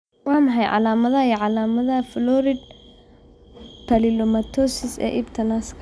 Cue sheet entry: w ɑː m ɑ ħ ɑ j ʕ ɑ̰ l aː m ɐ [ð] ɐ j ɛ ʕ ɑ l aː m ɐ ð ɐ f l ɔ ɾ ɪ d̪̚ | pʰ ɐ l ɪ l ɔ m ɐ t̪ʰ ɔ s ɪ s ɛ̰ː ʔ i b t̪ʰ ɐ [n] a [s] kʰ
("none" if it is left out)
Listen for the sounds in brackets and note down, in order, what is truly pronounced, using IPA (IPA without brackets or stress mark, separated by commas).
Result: ð, n, s